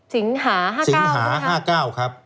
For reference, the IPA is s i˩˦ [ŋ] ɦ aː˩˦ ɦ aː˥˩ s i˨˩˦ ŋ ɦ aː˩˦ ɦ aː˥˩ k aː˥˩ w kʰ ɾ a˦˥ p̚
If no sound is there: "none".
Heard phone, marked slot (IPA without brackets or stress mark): ŋ